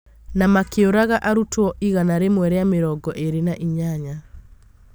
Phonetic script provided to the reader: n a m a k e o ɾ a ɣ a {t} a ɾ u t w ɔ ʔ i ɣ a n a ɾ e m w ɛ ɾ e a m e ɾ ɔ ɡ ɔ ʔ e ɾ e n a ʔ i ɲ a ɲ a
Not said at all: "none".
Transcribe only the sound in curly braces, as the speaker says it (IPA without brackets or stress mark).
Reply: ʔ